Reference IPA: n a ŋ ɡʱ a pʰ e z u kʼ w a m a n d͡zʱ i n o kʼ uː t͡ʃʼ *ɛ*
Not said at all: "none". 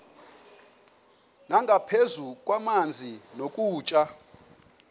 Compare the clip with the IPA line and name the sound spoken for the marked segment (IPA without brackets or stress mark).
a